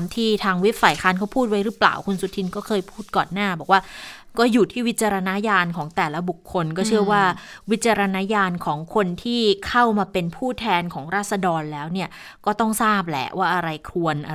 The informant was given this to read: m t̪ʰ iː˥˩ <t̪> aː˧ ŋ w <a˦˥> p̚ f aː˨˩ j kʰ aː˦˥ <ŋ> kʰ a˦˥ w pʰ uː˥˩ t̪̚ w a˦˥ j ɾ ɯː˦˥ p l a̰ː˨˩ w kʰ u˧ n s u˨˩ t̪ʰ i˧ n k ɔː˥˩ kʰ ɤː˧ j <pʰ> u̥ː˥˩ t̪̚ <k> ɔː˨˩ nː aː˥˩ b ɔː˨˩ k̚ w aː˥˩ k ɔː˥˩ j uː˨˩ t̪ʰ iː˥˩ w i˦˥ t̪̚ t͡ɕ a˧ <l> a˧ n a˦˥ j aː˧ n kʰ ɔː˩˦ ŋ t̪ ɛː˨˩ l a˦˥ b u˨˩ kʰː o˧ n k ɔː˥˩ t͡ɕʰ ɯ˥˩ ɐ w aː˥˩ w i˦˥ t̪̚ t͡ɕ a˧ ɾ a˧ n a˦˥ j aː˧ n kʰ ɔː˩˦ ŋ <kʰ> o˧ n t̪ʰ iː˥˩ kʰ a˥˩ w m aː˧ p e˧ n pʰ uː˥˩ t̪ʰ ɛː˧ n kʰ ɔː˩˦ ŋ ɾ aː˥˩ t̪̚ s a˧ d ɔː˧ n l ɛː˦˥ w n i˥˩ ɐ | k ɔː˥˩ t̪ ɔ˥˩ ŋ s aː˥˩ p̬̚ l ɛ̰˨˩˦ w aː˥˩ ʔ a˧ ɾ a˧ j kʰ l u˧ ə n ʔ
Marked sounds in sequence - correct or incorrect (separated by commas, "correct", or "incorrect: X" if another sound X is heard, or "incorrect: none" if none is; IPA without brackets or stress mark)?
incorrect: t̪ʰ, incorrect: i˦˥, incorrect: n, correct, correct, incorrect: ɾ, correct